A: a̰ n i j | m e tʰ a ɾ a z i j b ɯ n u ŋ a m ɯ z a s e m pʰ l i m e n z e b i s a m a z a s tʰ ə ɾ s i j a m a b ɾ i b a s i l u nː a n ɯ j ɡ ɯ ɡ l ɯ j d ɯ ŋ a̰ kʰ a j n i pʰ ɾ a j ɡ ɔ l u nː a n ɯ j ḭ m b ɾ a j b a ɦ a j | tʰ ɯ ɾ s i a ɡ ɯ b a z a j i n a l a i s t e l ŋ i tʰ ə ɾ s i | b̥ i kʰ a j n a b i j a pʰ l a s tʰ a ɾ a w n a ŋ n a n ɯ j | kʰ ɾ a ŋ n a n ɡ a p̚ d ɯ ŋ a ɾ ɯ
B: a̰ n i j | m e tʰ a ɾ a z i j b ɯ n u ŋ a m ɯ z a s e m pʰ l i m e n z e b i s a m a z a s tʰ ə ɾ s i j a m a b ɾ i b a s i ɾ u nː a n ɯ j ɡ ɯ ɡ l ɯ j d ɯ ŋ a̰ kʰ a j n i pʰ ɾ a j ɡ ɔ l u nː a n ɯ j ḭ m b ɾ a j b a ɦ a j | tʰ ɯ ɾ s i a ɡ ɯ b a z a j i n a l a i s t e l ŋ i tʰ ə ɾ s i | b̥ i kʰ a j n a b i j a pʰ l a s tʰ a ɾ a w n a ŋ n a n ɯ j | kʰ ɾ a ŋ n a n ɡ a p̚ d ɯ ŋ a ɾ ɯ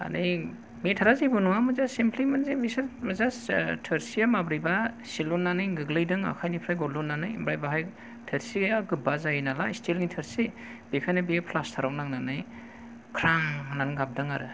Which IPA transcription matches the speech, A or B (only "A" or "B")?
A